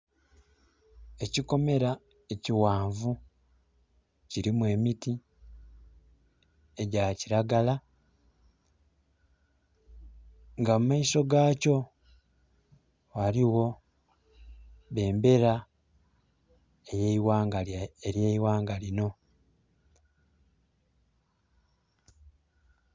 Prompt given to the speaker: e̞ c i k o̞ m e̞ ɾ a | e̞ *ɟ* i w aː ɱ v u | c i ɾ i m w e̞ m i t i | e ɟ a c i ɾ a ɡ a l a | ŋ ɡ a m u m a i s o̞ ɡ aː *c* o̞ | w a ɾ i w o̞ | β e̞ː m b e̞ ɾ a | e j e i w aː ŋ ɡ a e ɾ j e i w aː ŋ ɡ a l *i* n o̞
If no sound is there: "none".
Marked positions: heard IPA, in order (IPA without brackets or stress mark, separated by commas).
c, c, i